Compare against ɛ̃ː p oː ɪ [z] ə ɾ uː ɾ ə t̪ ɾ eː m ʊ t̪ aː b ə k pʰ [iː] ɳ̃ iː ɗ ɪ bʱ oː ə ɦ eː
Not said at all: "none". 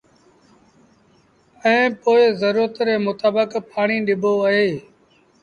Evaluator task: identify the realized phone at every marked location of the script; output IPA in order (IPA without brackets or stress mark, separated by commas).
z, aː